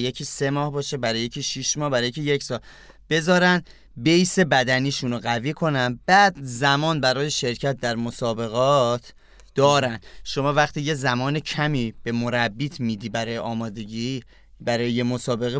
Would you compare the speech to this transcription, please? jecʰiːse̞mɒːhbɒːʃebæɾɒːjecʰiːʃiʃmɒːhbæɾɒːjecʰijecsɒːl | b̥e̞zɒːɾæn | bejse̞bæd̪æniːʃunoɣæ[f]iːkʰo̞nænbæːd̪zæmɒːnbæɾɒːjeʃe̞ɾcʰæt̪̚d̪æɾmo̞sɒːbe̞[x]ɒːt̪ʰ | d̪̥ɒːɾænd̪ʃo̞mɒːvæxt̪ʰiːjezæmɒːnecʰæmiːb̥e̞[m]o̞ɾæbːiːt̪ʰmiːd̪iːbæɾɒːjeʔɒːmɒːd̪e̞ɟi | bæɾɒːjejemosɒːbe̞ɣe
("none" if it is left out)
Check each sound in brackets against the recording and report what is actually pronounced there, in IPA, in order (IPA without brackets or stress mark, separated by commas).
v, ɣ, m